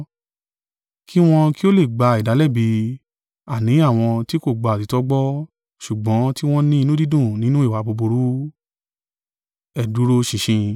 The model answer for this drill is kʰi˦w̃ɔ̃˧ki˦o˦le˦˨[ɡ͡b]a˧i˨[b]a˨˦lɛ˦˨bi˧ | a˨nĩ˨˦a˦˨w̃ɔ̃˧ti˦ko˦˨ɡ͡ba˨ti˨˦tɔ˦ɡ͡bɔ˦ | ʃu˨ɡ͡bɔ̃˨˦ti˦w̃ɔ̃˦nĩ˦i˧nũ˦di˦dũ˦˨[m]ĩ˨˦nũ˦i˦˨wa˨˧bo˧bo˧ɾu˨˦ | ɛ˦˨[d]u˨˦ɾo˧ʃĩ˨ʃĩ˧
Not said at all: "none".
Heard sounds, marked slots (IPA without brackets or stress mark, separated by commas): ɡ͡b, d, n, d